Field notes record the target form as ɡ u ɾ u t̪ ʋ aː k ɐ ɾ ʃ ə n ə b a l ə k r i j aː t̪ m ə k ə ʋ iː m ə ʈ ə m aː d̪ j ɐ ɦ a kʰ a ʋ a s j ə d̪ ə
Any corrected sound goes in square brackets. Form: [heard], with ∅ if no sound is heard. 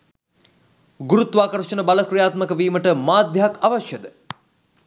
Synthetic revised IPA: ɡ u ɾ u t̪ ʋ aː k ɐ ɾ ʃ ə n ə b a l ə k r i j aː t̪ m ə k ə ʋ iː m ə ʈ ə m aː d̪ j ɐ ɦ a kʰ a ʋ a [ʃ] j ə d̪ ə